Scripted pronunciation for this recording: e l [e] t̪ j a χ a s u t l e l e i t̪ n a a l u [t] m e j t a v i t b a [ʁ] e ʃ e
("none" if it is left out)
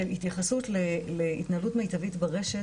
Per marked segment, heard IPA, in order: i, t, ʁ

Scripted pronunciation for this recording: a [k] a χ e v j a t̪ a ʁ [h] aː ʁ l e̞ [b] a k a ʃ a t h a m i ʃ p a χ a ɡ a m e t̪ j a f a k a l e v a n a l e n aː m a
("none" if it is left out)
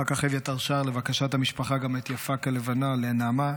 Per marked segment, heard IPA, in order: k, ʃ, v

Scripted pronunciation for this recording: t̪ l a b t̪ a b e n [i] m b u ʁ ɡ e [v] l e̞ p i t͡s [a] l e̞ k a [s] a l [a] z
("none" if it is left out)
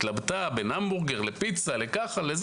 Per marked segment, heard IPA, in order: a, ʁ, a, χ, e

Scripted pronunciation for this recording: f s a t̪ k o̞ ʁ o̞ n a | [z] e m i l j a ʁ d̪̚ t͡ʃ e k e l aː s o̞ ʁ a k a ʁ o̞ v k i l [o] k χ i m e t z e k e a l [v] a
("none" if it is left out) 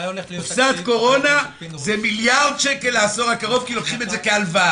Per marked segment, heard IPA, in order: z, o, v

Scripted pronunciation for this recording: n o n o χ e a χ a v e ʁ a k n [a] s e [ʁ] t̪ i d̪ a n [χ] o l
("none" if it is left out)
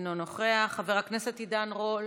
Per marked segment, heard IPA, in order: e, none, ʁ

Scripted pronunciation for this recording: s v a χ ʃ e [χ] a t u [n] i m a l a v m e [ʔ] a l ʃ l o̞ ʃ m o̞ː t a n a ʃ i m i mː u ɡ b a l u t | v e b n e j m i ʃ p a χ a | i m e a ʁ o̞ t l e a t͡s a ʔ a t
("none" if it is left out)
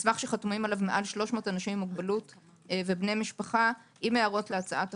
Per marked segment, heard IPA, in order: χ, m, ʔ

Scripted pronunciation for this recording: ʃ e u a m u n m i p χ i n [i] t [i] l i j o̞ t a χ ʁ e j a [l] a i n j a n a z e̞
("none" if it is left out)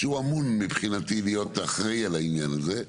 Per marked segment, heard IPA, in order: a, i, l

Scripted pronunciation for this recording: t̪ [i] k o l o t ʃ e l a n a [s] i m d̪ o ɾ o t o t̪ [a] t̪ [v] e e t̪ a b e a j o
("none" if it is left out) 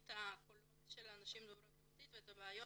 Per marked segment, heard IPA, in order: a, ʃ, i, v

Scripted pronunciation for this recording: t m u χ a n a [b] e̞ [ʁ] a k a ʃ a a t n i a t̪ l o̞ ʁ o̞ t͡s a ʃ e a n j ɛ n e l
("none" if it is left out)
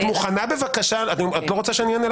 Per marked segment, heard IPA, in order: b, v

